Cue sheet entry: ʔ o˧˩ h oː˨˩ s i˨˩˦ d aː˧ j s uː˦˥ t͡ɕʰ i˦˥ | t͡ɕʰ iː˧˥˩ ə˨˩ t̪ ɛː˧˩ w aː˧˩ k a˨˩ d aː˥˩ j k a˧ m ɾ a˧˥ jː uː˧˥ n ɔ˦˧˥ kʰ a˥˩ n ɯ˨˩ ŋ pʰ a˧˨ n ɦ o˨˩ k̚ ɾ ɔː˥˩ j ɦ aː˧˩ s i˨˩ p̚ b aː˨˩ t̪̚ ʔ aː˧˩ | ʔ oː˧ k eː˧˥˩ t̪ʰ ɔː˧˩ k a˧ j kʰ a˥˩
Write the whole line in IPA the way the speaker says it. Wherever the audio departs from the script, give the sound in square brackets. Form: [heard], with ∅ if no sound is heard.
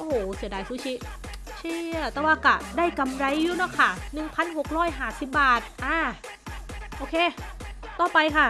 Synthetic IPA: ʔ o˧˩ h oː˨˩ s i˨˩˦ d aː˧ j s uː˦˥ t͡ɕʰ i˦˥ | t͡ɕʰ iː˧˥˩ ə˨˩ t̪ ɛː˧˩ w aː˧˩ k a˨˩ d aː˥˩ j k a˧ m ɾ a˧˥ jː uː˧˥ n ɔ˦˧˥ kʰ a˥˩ n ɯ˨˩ ŋ pʰ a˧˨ n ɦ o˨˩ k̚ ɾ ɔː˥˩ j ɦ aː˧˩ s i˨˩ p̚ b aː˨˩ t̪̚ ʔ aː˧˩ | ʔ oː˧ [kʰ] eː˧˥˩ [t̪] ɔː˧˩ [p] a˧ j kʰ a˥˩